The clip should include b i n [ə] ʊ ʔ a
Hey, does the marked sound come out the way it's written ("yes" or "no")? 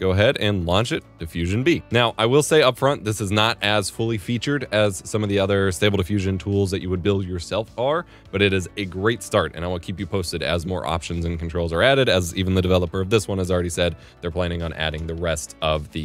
no